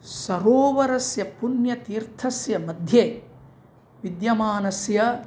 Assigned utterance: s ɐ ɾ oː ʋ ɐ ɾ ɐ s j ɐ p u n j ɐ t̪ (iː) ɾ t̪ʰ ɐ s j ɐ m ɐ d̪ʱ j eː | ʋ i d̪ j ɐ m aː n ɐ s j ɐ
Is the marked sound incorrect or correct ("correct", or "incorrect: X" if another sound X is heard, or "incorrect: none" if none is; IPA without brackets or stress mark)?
correct